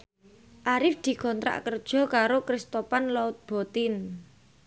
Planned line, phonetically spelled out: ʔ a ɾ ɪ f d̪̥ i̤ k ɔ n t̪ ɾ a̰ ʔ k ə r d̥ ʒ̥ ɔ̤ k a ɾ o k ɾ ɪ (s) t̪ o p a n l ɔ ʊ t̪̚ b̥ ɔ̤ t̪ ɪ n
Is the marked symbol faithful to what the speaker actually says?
yes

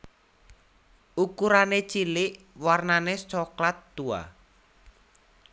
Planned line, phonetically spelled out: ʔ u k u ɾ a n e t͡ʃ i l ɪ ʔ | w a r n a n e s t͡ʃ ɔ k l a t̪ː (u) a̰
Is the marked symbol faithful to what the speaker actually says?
yes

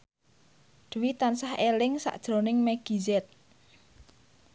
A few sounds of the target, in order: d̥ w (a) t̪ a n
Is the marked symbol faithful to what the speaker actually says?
no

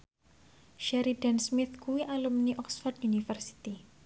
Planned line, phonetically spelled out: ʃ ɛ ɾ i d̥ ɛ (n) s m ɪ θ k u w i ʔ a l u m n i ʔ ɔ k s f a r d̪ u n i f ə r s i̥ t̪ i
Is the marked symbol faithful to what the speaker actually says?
yes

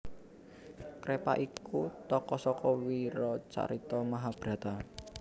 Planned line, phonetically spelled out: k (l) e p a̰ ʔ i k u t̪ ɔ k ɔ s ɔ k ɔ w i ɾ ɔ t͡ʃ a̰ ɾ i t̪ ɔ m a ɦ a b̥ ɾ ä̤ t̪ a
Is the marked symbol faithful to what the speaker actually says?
no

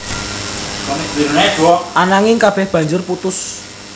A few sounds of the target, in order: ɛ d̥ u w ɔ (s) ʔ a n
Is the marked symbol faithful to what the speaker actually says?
no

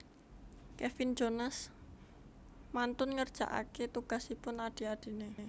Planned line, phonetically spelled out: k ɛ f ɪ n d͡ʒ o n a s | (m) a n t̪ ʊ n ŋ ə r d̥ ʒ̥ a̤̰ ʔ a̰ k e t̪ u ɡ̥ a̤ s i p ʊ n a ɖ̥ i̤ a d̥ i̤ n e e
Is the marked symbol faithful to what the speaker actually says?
yes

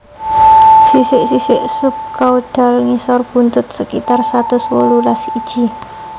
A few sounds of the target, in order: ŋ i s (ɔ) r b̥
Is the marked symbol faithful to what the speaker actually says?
yes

